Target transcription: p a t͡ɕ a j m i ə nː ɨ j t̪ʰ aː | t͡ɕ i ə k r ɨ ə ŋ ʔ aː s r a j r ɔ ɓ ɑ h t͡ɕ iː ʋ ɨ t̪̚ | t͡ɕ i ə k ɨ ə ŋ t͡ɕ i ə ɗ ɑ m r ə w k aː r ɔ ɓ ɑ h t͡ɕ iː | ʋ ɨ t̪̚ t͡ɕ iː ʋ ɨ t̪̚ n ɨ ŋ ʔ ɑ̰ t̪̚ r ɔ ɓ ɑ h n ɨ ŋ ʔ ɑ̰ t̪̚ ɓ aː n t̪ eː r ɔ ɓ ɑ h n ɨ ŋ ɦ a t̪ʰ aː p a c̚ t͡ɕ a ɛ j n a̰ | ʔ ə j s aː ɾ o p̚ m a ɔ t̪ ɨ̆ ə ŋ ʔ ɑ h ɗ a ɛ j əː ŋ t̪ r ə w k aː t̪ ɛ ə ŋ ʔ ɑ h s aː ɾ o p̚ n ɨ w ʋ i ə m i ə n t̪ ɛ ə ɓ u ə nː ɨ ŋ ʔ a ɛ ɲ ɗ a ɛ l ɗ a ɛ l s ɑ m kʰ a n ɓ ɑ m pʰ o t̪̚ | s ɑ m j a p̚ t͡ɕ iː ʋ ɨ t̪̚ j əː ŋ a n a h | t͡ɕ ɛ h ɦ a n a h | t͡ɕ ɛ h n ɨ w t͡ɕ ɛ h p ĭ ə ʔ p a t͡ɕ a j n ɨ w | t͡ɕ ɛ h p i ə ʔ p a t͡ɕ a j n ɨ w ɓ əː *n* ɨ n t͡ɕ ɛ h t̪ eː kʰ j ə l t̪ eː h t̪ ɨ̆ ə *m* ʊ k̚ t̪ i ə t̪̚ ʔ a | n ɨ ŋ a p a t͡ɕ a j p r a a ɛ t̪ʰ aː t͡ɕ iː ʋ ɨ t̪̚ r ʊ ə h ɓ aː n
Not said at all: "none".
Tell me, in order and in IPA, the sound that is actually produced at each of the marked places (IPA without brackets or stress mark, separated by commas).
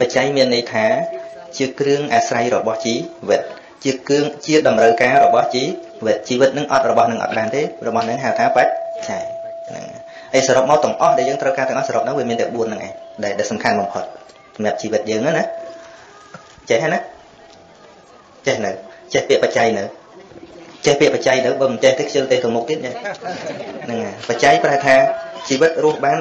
m, m